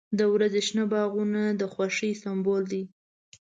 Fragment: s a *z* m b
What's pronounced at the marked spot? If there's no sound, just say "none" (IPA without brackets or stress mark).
none